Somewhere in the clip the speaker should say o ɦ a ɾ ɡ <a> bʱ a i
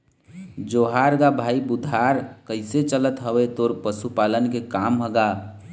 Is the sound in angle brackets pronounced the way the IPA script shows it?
yes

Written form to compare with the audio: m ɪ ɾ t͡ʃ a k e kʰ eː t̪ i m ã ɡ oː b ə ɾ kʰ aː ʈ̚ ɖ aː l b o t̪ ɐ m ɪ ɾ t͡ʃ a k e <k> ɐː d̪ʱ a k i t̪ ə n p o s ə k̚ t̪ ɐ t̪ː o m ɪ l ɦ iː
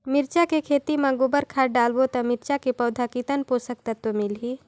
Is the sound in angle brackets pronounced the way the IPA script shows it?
no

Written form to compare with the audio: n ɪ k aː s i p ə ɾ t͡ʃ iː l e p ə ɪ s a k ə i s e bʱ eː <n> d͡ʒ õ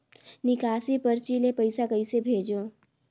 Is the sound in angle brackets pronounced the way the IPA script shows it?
no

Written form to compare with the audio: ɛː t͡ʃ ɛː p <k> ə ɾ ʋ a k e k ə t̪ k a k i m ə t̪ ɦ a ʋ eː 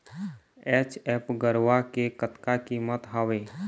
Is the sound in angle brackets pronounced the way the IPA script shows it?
no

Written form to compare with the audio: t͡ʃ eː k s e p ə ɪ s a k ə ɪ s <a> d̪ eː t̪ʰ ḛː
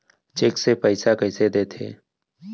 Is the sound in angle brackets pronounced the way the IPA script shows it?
no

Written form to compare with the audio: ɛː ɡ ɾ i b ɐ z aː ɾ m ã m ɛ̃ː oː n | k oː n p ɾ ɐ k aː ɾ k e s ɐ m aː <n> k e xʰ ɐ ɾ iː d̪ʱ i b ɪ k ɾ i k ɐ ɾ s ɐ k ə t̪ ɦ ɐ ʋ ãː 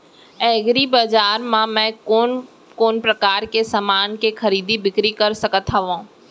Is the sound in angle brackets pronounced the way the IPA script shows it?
yes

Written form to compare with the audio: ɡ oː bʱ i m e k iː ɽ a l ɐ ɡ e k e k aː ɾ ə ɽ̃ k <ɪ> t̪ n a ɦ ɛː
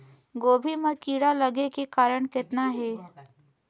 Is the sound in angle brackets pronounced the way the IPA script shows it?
yes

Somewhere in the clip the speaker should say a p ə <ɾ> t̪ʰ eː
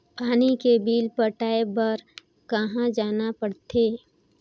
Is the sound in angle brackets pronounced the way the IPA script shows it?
no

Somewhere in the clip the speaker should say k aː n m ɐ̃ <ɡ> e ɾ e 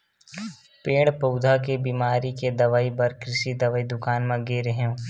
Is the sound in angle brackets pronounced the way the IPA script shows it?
yes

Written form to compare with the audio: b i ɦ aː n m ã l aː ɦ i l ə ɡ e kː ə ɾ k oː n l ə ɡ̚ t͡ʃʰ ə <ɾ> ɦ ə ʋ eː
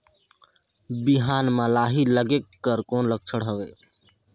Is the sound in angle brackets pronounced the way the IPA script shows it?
no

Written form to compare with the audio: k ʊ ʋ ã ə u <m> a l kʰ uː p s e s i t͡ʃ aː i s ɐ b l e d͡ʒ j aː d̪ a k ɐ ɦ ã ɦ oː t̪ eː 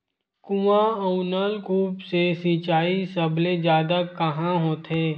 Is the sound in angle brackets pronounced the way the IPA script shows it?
no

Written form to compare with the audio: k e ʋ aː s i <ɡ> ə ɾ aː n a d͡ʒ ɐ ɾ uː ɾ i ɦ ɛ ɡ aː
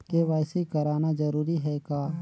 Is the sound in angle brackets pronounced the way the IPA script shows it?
no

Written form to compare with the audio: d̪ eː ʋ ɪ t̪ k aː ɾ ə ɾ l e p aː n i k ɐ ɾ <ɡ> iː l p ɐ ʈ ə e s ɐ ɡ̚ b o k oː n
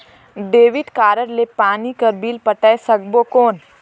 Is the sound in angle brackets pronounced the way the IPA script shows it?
no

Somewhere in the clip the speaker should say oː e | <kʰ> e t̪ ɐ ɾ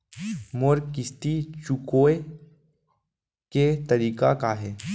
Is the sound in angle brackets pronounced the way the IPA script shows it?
no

